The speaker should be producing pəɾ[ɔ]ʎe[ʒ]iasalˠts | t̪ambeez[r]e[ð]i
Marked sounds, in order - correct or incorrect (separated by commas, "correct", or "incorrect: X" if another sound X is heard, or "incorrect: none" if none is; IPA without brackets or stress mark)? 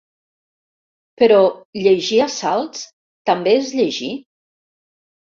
correct, correct, incorrect: ʎ, incorrect: ʒ